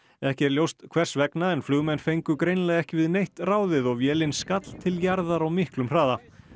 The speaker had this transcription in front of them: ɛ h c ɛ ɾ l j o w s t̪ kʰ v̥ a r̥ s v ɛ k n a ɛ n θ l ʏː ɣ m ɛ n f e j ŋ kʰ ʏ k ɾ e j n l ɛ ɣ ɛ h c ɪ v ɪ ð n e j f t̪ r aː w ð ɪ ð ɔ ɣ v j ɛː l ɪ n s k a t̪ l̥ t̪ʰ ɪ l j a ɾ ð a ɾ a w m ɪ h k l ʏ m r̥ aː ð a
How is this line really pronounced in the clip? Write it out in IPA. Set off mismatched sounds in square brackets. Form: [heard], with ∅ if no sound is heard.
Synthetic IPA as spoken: ɛ h c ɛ ɾ l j o w s t̪ kʰ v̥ [ɛ] r̥ s v ɛ k n a ɛ n [f] l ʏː ɣ m ɛ n f e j ŋ [k] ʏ k ɾ e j n l ɛ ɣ ɛ h c ɪ v ɪ ð n e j [h] t̪ r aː w ð ɪ ð ɔ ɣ v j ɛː l ɪ n s k a t̪ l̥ t̪ʰ ɪ l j a ɾ ð a ɾ a w m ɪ h k l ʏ m r̥ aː ð a